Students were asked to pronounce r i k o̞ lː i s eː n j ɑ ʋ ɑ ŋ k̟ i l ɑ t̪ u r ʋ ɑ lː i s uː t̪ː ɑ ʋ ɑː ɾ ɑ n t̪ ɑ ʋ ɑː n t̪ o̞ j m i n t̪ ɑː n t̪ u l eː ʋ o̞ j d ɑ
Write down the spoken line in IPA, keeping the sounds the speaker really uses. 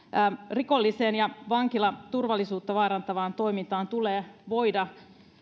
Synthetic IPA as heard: r i k o̞ lː i s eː n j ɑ ʋ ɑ ŋ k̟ i l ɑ t̪ u r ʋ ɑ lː i s uː t̪ː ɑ ʋ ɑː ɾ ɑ n t̪ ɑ ʋ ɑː n t̪ o̞ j m i n t̪ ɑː n t̪ u l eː ʋ o̞ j d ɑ